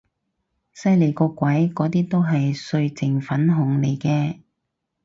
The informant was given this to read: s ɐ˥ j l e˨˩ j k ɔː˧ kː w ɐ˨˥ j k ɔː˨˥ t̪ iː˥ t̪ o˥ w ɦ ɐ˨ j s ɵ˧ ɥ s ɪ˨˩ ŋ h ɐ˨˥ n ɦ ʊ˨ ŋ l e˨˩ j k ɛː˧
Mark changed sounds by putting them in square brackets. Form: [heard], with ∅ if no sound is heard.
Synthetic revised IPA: s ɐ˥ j l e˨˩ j k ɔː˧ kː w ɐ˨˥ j k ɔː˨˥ t̪ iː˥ t̪ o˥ w ɦ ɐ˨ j s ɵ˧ ɥ [t͡s] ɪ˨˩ ŋ [f] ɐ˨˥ n ɦ ʊ˨ ŋ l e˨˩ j k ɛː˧